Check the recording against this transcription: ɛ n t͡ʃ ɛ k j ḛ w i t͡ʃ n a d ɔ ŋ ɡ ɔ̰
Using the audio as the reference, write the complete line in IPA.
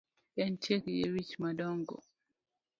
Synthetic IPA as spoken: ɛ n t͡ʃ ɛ k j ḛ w i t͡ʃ m a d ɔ ŋ ɡ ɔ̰